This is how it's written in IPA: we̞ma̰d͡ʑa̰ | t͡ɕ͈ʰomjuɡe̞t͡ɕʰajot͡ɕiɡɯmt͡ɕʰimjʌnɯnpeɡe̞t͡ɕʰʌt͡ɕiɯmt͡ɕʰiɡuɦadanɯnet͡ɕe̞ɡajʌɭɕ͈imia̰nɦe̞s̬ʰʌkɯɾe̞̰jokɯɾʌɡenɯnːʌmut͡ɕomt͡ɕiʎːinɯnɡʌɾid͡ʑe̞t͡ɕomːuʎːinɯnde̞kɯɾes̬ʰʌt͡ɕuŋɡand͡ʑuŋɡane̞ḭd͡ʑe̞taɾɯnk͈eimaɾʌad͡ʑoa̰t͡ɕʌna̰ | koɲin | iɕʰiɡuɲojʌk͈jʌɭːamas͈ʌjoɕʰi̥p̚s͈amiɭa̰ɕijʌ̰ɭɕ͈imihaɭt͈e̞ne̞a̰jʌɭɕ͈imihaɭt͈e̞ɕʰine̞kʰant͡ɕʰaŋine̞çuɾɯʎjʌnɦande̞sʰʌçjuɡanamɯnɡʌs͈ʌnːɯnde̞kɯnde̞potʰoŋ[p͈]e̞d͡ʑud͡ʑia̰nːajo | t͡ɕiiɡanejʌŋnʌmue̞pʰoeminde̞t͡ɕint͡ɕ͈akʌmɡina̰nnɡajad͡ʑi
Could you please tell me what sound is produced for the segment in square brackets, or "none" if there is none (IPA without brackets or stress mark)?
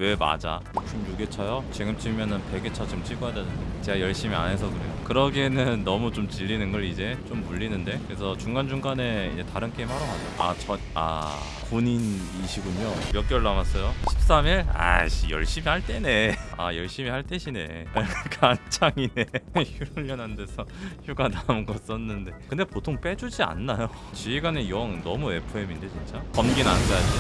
p͈